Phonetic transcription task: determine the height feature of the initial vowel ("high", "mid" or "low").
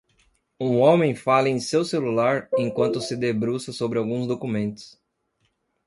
high